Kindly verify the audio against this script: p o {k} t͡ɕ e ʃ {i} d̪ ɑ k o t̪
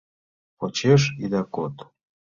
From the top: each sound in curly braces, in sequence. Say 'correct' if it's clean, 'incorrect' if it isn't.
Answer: incorrect, correct

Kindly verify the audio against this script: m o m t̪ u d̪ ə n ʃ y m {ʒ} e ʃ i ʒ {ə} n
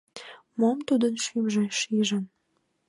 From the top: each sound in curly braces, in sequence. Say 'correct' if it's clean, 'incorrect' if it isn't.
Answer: correct, correct

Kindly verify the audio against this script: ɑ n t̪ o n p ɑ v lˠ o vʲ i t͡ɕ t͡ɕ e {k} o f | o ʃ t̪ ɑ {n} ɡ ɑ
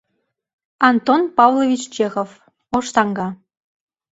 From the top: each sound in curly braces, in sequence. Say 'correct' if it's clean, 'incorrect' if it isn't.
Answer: incorrect, incorrect

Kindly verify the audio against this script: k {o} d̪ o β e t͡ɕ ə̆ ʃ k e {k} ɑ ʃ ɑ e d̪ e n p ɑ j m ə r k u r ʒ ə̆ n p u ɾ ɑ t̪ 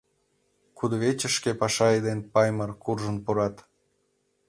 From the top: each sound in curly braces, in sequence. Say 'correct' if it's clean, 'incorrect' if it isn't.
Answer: incorrect, incorrect

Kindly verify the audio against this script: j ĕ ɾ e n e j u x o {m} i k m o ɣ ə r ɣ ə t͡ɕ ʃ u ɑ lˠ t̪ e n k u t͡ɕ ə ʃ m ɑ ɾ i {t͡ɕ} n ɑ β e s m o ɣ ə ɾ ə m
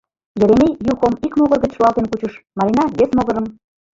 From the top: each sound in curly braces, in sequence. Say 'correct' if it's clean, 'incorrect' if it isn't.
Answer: correct, incorrect

